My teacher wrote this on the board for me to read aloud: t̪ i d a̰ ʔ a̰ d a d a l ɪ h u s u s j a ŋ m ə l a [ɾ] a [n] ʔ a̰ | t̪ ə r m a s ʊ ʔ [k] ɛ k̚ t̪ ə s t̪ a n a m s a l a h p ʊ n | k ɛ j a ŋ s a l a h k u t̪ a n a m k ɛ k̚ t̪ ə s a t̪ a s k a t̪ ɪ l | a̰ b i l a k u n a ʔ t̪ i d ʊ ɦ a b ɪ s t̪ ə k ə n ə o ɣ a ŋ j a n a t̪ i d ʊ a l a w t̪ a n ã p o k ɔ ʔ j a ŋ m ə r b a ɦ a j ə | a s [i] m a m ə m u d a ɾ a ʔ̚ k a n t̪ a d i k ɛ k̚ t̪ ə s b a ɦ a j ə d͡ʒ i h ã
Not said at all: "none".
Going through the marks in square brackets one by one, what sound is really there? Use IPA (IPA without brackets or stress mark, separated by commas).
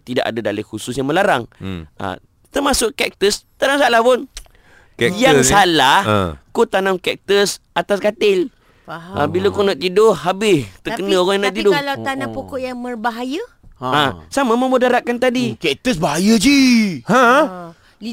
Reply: ɾ, ŋ, k, a